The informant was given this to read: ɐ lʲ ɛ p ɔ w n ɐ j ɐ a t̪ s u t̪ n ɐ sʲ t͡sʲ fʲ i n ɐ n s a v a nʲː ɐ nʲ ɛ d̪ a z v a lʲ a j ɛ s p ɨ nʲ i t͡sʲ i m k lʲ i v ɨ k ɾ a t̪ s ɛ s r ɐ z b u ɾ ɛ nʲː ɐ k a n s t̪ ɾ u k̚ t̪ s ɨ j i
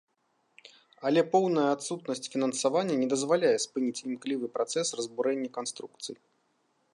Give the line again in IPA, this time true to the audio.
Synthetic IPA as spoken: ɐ lʲ ɛ p ɔ w n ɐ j ɐ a t̪ s u t̪ n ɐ sʲ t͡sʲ fʲ i n ɐ n s a v a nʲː ɐ nʲ ɛ d̪ ɐ z v a lʲ a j ɛ s p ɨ nʲ i t͡sʲ i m k lʲ i v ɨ p ɾ a t̪ s ɛ s r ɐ z b u ɾ ɛ nʲː ɐ k a n s t̪ ɾ u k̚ t̪ s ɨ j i